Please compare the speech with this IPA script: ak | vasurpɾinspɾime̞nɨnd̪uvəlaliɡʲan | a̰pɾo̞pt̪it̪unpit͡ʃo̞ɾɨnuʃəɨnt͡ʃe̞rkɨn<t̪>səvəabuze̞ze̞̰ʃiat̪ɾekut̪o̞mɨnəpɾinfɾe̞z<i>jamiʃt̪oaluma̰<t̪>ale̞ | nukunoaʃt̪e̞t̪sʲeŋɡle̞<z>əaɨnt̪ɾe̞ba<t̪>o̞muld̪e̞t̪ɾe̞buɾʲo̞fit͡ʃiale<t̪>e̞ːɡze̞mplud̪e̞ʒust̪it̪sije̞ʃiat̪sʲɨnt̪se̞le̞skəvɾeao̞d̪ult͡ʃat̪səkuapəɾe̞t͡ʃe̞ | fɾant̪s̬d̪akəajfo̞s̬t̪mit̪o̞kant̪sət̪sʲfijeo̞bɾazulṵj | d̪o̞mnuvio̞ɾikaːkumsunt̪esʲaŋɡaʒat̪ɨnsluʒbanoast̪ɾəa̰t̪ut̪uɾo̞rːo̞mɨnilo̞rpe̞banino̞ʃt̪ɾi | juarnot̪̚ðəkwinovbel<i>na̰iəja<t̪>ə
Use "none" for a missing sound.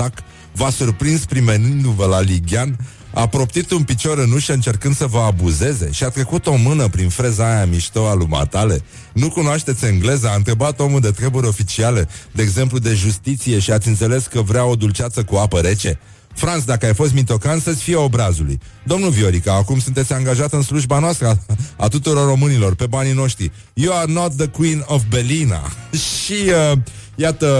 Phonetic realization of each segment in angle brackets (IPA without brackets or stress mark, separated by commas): d̪, a, t̪, z, t̪, d̪, i, t̪